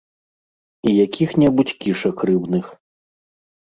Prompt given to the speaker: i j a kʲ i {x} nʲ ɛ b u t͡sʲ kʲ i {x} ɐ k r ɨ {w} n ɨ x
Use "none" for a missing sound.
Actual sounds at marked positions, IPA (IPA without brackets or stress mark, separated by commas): x, ʂ, b